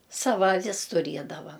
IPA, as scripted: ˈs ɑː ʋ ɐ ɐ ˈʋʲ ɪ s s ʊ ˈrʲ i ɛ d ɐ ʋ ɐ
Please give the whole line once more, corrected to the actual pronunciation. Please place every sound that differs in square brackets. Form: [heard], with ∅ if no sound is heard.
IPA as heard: ˈs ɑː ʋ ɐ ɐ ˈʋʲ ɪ s [t] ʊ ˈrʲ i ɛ d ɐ ʋ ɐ

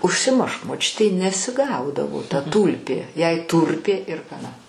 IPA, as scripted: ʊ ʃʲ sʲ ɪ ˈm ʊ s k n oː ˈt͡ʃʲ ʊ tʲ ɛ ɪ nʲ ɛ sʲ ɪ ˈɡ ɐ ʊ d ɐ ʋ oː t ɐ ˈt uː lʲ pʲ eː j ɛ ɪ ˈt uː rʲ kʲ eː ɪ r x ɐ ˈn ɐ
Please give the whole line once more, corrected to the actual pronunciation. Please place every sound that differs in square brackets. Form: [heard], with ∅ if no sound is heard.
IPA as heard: ʊ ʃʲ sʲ ɪ ˈm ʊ [ʃ] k [m] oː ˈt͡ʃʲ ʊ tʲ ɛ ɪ nʲ ɛ sʲ ɪ ˈɡ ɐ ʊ d ɐ ʋ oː t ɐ ˈt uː lʲ pʲ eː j ɛ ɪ ˈt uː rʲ [pʲ] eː ɪ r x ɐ ˈn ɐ

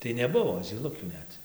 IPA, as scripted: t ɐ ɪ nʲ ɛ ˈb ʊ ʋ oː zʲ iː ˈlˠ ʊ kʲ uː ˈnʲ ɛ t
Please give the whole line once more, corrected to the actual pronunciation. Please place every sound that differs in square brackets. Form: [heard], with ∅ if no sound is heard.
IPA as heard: t ɐ ɪ nʲ ɛ ˈb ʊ ʋ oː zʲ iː ˈlˠ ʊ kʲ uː ˈnʲ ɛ t

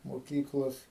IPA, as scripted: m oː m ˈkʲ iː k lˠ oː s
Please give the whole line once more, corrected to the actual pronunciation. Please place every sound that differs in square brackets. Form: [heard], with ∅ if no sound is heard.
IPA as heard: m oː [∅] ˈkʲ iː k lˠ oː s

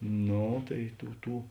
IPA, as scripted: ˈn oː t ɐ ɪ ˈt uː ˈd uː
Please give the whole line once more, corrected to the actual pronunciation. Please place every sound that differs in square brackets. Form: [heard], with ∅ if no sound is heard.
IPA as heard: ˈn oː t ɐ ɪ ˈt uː [ˈt] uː

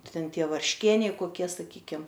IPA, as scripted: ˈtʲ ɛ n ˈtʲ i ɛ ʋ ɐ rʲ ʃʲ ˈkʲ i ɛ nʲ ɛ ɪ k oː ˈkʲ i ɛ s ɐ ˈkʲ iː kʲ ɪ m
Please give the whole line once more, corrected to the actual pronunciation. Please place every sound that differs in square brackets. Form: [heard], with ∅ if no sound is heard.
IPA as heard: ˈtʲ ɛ n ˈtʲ i ɛ ʋ ɐ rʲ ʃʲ ˈkʲ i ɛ nʲ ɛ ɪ k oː ˈkʲ i ɛ s ɐ ˈkʲ iː kʲ ɪ m

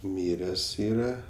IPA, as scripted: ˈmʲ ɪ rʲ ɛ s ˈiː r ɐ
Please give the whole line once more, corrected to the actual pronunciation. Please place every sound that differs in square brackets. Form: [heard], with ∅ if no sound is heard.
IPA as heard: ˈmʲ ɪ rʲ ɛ s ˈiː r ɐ

